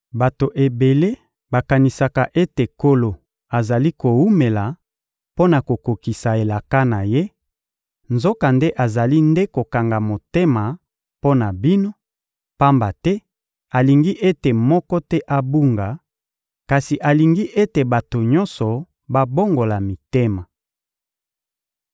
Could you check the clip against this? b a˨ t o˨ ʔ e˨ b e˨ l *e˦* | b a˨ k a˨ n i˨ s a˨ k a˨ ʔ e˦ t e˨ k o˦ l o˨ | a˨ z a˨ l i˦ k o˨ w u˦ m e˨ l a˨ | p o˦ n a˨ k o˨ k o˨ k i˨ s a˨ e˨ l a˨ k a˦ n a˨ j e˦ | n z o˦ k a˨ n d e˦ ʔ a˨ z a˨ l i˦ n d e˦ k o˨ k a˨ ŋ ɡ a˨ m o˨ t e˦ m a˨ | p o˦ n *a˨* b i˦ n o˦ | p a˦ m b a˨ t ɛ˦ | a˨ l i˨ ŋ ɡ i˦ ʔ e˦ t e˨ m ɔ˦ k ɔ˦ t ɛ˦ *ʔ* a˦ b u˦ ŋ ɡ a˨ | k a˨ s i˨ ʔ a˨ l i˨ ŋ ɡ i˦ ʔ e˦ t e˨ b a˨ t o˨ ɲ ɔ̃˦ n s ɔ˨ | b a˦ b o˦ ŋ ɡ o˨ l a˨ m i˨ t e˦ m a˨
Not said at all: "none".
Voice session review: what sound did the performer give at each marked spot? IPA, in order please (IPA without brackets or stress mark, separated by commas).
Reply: e˦, a˨, ʔ